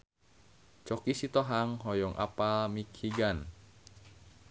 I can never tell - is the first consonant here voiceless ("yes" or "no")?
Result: yes